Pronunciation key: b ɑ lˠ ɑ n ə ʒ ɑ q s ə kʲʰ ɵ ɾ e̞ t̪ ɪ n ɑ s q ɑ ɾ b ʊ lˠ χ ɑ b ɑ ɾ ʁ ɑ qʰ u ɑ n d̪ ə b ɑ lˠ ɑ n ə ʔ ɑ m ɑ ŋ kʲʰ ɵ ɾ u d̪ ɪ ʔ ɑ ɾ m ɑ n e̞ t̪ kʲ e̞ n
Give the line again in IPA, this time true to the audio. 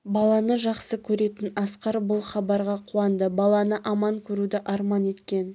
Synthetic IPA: b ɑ lˠ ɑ n ə ʒ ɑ q s ə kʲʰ ɵ ɾ e̞ t̪ ɪ n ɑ s q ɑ ɾ b ʊ lˠ χ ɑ b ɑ ɾ ʁ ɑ qʰ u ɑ n d̪ ə b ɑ lˠ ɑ n ə ʔ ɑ m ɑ ŋ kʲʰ ɵ ɾ u d̪ ɪ ʔ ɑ ɾ m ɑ n e̞ t̪ kʲ e̞ n

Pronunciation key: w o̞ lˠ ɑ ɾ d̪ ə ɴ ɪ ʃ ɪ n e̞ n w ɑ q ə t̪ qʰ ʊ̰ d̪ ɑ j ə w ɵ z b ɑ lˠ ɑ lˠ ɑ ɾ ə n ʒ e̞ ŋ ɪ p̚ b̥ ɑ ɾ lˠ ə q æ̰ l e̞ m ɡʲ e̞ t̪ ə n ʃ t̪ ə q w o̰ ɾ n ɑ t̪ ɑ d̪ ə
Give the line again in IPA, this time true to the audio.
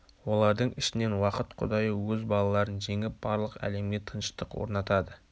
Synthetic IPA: w o̞ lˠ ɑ ɾ d̪ ə ɴ ɪ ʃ ɪ n e̞ n w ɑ q ə t̪ qʰ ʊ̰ d̪ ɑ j ə w ɵ z b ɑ lˠ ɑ lˠ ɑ ɾ ə n ʒ e̞ ŋ ɪ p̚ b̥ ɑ ɾ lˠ ə q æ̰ l e̞ m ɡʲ e̞ t̪ʰ ə n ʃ t̪ ə q w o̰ ɾ n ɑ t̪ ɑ d̪ ə

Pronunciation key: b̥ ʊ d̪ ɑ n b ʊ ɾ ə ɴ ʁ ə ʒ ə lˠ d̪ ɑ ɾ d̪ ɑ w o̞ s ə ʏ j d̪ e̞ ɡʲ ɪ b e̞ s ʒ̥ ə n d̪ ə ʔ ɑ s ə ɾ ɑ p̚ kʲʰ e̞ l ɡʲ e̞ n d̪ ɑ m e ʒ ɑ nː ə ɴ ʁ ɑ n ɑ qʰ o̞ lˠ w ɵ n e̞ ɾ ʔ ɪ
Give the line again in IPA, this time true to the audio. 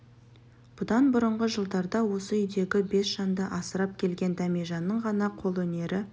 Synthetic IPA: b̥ ʊ d̪ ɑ n b ʊ ɾ ə ɴ ʁ ə ʒ ə lˠ d̪ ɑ ɾ d̪ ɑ w o̞ s ə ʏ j d̪ e̞ ɡʲ ɪ b e̞ s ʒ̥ ɑ n d̪ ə ʔ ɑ s ə ɾ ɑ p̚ kʲʰ e̞ l ɡʲ e̞ n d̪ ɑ m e ʒ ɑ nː ə ɴ ʁ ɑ n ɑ qʰ o̞ lˠ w ɵ n e̞ ɾ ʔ ɪ

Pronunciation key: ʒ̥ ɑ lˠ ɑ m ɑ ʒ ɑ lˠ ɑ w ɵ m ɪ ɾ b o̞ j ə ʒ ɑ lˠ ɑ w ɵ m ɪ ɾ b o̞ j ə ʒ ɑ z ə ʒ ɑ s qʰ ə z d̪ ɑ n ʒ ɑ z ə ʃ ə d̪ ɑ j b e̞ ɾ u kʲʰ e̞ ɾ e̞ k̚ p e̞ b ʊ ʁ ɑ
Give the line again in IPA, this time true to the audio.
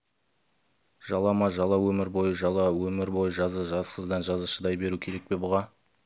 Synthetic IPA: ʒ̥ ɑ lˠ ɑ m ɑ ʒ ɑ lˠ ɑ w ɵ m ɪ ɾ b o̞ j ə ʒ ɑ lˠ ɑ w ɵ m ɪ ɾ b o̞ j ə ʒ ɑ z ə ʒ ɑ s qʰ ə z d̪ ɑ n ʒ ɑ z ə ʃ ə d̪ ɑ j b e̞ ɾ u kʲʰ e̞ ɾ e̞ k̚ p e̞ b ʊ ʁ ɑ

